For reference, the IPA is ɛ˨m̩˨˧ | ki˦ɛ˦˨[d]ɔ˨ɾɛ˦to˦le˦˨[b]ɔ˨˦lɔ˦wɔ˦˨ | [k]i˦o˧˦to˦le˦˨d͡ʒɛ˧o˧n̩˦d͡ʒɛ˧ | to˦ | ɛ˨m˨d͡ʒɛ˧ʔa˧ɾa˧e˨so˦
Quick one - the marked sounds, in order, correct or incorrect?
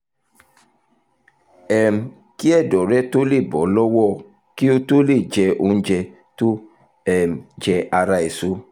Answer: correct, correct, correct

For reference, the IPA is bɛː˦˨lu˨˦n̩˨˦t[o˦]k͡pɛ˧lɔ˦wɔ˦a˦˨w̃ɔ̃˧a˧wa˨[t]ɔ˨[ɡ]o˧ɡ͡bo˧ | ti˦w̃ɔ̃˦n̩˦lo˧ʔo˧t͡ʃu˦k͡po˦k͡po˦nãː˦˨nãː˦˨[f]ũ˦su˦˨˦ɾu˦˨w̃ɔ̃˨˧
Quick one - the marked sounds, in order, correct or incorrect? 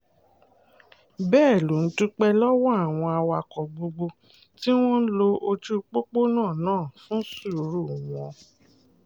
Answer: incorrect: u˦, incorrect: k, incorrect: ɡ͡b, correct

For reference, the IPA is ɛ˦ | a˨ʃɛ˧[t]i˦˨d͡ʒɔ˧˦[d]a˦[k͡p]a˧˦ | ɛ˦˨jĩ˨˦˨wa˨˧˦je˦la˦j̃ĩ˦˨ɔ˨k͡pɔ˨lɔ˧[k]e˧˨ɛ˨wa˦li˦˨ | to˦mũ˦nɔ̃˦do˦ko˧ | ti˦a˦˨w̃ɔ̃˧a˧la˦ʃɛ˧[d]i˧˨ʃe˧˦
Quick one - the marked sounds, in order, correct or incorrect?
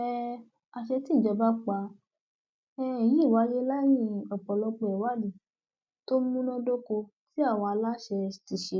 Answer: correct, incorrect: b, correct, incorrect: k͡p, incorrect: t

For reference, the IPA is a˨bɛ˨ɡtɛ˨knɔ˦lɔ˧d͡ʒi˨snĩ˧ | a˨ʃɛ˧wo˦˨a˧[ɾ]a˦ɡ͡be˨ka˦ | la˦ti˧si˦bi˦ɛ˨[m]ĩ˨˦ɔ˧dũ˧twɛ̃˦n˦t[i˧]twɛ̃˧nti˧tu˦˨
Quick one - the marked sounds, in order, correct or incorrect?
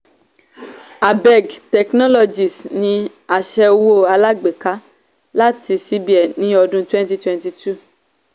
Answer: incorrect: l, incorrect: n, correct

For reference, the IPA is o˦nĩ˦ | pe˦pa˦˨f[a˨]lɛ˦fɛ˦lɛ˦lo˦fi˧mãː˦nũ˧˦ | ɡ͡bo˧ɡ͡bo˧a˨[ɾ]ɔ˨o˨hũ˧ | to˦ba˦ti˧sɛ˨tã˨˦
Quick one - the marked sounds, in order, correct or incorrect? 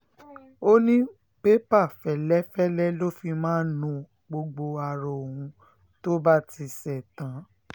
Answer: incorrect: ɛ˨, correct

